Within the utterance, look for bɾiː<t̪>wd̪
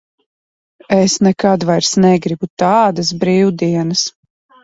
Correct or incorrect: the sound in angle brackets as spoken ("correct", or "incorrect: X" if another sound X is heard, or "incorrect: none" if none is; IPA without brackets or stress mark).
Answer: incorrect: none